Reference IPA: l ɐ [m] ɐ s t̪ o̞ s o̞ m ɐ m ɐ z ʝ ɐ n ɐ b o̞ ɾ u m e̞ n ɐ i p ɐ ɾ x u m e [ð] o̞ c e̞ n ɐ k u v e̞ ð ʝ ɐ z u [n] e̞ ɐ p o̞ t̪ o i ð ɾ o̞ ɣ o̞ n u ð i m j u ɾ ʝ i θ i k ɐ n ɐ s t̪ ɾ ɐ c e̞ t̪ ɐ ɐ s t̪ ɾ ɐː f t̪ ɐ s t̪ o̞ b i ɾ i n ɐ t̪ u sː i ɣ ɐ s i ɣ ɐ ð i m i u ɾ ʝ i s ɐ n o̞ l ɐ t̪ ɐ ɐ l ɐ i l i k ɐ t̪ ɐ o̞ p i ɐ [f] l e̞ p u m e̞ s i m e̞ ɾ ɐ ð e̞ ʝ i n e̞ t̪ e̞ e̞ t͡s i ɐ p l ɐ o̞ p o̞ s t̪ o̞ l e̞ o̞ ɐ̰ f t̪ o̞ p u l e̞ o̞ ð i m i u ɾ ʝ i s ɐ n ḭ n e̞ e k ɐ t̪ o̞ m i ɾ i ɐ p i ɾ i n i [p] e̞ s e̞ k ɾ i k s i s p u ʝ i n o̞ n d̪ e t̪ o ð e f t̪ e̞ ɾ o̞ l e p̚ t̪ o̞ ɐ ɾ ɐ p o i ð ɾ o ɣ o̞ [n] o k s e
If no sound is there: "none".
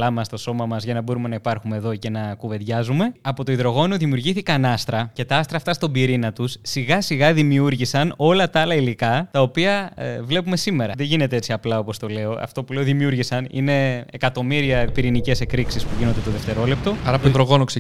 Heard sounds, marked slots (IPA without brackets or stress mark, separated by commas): m, ð, m, v, c, n